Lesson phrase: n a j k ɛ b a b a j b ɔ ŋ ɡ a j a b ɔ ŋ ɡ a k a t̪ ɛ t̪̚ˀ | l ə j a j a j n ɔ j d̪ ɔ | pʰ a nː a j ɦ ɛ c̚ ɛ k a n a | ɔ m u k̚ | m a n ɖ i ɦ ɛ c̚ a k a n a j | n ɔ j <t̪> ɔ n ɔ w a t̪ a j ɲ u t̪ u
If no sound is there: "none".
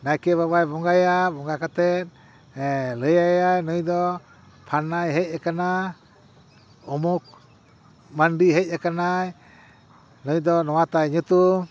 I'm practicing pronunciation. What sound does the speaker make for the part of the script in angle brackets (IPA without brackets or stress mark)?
d̪